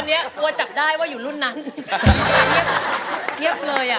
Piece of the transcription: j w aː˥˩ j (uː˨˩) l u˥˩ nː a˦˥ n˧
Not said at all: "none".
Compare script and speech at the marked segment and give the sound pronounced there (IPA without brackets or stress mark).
uː˨˩